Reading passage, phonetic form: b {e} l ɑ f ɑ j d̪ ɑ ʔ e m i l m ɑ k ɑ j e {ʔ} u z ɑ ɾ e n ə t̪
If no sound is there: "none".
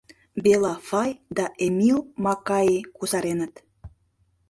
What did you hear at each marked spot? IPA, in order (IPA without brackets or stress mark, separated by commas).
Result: e, k